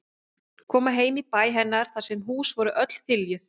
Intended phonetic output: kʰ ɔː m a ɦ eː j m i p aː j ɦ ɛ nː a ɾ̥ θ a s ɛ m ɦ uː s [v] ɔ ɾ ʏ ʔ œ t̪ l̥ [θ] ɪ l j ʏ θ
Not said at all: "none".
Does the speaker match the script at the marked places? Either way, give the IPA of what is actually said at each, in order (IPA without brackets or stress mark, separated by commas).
v, θ